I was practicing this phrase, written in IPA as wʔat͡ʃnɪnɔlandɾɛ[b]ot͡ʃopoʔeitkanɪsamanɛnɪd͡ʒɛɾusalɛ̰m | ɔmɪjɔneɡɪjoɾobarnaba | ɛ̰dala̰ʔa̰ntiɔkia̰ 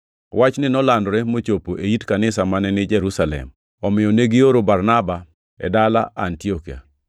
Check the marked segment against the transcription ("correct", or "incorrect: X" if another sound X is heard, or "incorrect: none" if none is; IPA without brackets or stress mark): incorrect: m